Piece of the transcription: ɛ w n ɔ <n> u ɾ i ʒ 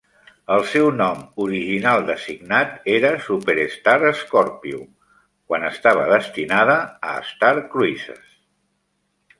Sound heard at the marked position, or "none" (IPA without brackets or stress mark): m